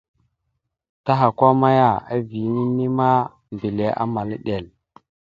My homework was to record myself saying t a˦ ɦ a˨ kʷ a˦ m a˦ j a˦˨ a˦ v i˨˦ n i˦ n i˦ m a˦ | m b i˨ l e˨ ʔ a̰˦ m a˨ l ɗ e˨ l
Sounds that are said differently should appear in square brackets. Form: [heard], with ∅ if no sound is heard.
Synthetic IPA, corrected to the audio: t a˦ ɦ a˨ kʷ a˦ m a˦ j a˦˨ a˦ v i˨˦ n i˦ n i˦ m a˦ | m b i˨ l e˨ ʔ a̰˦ m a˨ l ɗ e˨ l